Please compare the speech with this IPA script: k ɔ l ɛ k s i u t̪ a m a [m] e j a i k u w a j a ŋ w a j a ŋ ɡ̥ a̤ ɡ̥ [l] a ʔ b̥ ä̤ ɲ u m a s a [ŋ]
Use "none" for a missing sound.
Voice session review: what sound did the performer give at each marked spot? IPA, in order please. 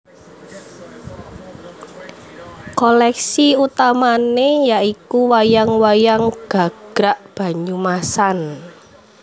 n, ɾ, n

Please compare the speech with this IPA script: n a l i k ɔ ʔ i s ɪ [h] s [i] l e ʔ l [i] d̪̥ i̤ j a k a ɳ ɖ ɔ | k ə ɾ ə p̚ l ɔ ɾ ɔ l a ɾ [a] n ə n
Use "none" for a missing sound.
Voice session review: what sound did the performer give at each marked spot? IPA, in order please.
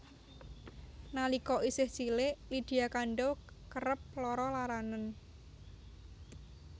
h, i, i, a

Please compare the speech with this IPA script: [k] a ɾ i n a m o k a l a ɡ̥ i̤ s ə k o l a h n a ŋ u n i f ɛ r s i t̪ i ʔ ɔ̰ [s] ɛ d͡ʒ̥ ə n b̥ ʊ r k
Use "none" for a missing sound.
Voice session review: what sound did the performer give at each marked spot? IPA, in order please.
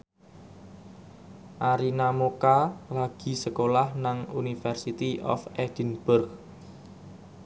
ʔ, f

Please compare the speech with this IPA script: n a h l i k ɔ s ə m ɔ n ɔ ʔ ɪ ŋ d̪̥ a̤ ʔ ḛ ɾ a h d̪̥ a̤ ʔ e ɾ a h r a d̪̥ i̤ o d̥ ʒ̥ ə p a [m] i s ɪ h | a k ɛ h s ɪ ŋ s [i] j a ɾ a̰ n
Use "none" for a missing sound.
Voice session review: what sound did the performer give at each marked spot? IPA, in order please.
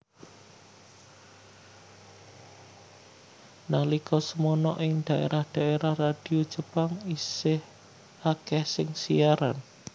ŋ, i

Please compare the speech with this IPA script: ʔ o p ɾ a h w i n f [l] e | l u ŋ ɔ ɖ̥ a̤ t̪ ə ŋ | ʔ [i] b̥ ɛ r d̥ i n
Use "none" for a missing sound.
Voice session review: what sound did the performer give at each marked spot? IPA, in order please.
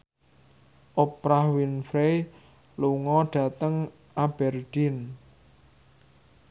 ɾ, a

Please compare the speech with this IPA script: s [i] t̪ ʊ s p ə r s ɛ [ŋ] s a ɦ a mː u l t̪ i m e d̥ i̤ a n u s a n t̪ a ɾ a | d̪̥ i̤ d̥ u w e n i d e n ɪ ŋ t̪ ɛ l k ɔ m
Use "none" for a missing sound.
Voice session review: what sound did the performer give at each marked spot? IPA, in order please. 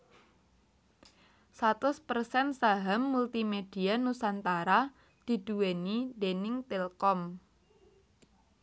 a, n

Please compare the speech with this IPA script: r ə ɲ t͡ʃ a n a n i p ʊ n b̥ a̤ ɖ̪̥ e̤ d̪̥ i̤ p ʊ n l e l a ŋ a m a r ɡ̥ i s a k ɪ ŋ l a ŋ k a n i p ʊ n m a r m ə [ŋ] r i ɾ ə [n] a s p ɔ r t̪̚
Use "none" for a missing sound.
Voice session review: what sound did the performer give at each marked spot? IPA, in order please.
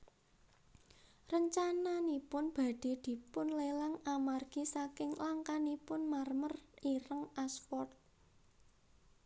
none, ŋ

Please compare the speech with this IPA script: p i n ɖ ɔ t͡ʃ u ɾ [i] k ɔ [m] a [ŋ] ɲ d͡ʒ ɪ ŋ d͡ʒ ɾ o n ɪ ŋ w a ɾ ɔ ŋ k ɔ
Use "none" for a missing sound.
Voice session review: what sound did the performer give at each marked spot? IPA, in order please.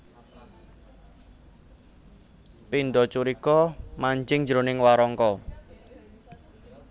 i, m, none

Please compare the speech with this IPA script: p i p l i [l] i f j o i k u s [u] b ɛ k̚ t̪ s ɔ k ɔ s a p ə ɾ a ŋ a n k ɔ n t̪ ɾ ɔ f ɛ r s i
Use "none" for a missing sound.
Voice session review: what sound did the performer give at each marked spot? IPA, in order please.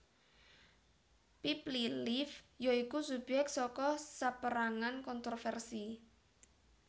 l, u

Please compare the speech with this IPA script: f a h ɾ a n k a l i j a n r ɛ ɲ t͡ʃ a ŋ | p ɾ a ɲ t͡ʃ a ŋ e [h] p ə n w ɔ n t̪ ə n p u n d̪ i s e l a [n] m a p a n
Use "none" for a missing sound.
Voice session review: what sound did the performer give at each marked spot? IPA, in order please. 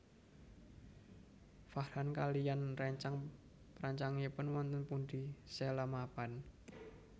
none, none

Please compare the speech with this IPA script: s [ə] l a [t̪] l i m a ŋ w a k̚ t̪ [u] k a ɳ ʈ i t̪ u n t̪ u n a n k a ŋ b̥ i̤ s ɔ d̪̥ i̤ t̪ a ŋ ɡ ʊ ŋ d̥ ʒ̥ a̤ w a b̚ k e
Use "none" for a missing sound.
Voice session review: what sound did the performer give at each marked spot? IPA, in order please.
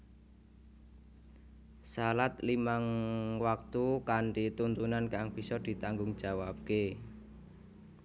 a, t̪, u

